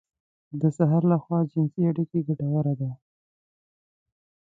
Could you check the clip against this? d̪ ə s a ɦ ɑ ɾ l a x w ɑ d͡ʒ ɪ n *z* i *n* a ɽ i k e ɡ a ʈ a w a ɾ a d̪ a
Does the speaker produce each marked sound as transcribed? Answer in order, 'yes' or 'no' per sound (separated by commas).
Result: no, no